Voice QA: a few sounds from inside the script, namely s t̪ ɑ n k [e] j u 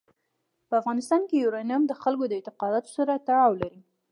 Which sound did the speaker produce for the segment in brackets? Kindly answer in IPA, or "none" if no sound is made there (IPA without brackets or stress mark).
e